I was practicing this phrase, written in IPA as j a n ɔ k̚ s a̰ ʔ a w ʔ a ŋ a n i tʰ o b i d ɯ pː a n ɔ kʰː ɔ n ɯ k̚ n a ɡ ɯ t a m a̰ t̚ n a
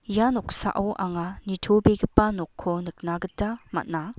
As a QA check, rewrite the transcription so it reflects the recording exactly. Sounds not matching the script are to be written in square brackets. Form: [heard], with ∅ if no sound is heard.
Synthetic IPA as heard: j a n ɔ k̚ s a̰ ʔ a w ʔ a ŋ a n i tʰ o b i [ɡ] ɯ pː a n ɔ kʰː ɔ n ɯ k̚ n a ɡ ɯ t a m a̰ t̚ n a